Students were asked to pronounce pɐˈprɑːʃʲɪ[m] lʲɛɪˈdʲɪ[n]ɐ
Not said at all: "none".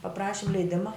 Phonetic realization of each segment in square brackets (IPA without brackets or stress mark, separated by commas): m, m